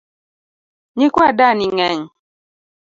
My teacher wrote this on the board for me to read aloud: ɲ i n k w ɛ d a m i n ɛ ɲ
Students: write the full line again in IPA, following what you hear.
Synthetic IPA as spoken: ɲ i k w a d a n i ŋ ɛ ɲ